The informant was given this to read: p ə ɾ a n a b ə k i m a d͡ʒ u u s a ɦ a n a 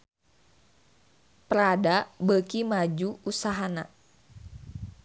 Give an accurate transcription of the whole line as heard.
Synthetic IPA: p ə ɾ a d a b ə k i m a d͡ʒ u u s a ɦ a n a

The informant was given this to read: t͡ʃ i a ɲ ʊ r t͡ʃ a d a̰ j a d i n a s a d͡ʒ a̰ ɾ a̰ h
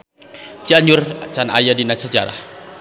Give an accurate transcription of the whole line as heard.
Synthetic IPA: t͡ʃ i a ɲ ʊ r t͡ʃ a n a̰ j a d i n a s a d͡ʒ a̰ ɾ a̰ h

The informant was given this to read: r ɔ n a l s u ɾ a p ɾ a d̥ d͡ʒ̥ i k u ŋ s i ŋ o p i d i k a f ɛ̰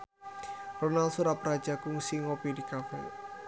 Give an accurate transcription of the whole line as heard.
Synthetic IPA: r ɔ n a l s u ɾ a p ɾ a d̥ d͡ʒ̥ a k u ŋ s i ŋ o p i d i k a f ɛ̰

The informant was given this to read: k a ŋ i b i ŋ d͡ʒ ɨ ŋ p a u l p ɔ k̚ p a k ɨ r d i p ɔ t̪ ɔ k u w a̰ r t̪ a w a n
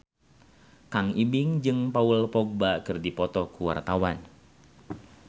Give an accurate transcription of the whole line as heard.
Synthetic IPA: k a ŋ i b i ŋ d͡ʒ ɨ ŋ p a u l p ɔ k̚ b a k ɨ r d i p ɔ t̪ ɔ k u w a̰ r t̪ a w a n

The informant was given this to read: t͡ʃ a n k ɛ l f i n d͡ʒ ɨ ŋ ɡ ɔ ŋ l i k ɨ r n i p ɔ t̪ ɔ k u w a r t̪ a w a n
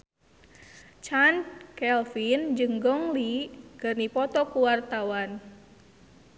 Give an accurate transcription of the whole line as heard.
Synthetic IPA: t͡ʃ a n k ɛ l f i n d͡ʒ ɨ ŋ ɡ ɔ ŋ l i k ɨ r n i p ɔ t̪ ɔ k u w a r t̪ a w a n

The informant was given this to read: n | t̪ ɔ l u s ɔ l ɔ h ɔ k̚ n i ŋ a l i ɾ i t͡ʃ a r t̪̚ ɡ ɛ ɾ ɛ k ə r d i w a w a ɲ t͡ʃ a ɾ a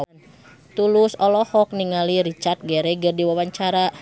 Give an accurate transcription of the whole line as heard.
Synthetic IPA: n | t̪ u l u s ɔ l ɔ h ɔ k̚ n i ŋ a l i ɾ i t͡ʃ a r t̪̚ ɡ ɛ ɾ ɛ ɡ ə r d i w a w a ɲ t͡ʃ a ɾ a

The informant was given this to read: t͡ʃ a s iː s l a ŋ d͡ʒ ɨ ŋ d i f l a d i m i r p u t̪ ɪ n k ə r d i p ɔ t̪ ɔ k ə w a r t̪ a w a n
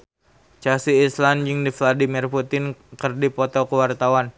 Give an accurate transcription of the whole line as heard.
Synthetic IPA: t͡ʃ a s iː s l a n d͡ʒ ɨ ŋ d i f l a d i m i r p u t̪ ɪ n k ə r d i p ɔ t̪ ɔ k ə w a r t̪ a w a n

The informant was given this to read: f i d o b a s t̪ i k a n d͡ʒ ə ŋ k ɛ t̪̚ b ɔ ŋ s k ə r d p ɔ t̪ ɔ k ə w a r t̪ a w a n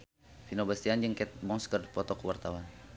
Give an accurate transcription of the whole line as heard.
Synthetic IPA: f i n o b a s t̪ i a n d͡ʒ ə ŋ k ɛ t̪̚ b ɔ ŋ s k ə r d p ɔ t̪ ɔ k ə w a r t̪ a w a n

